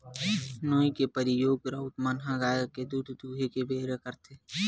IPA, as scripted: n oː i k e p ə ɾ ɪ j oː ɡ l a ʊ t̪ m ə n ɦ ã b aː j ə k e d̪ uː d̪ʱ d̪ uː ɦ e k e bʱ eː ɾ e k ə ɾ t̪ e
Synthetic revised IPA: n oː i k e p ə ɾ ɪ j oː ɡ ɾ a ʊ t̪ m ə n ɦ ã ɡ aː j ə k e d̪ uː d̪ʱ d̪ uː ɦ e k e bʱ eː ɾ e k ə ɾ t̪ e